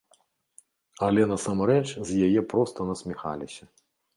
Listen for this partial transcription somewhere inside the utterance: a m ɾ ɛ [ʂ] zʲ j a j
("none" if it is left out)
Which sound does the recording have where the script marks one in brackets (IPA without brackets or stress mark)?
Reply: t͡ʂ